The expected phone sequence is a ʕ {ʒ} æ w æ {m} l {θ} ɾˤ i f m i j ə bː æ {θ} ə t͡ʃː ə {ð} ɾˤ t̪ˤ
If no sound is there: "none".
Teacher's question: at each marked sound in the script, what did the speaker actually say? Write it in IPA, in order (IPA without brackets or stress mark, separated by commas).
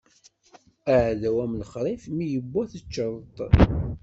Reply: ð, m, χ, θ, none